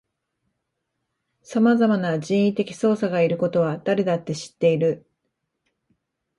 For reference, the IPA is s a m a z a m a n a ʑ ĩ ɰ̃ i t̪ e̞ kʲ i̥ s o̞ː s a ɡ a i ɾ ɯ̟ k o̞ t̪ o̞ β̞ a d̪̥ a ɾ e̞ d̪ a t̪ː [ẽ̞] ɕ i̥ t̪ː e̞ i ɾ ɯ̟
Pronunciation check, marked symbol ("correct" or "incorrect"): incorrect